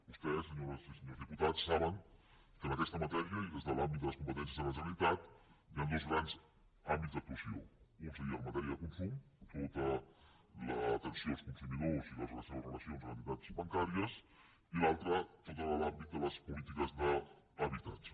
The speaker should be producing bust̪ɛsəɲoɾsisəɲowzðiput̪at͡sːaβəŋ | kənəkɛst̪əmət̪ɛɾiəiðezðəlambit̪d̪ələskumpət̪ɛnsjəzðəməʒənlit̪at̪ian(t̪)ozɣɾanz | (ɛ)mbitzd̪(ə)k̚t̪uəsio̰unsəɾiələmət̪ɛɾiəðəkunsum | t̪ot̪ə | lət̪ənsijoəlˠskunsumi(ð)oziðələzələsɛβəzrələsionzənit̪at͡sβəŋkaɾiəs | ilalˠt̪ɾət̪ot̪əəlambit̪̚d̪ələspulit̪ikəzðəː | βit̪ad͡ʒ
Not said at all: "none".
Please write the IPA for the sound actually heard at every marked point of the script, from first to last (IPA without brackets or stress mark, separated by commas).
d̪, a, ə, ð